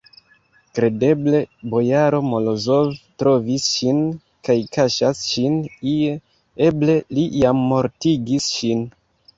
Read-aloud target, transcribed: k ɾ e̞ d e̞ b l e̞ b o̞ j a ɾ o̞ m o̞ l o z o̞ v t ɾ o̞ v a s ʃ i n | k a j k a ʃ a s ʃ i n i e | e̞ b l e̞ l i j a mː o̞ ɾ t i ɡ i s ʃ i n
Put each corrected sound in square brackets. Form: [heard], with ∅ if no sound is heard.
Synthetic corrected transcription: k ɾ e̞ d e̞ b l e̞ b o̞ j a ɾ o̞ m o̞ l o z o̞ v t ɾ o̞ v [i] s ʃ i n | k a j k a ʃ a s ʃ i n i e | e̞ b l e̞ l i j a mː o̞ ɾ t i ɡ i s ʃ i n